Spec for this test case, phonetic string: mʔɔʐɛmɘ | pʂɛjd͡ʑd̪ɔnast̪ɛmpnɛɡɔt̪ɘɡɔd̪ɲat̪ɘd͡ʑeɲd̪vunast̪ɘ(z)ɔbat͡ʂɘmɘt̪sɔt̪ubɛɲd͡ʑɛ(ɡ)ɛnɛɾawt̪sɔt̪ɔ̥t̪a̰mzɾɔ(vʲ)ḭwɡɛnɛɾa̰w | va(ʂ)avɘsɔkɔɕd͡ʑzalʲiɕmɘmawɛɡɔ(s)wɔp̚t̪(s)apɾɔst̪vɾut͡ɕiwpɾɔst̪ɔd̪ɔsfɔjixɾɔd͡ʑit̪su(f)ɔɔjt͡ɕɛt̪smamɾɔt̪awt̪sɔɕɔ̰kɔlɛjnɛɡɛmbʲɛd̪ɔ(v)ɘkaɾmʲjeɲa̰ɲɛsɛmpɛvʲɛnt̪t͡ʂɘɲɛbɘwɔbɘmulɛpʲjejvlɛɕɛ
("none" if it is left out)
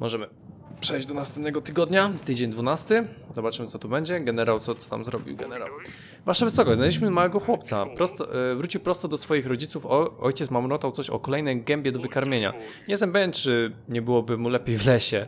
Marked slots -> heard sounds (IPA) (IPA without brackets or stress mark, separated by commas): z, ɡ, bʲ, ʂ, x, s, f, v